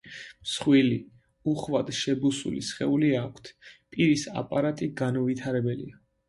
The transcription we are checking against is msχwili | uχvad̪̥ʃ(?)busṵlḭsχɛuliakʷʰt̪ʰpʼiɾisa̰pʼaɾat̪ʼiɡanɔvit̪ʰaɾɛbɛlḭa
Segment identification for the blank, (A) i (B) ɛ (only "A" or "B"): B